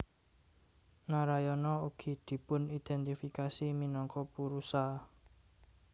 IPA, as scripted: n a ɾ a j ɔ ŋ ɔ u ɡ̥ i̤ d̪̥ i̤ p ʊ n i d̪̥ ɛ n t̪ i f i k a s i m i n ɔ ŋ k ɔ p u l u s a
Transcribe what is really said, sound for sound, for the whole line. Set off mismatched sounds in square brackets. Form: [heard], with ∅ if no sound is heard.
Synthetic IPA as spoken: n a ɾ a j ɔ [n] ɔ u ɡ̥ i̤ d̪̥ i̤ p ʊ n i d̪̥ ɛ n t̪ i f i k a s i m i n ɔ ŋ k ɔ p u [ɾ] u s a